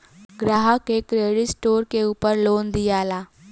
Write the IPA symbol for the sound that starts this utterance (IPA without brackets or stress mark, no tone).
ɡ